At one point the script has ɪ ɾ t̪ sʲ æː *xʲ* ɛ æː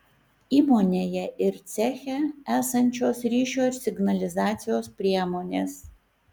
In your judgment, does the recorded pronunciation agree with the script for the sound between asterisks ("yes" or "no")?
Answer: yes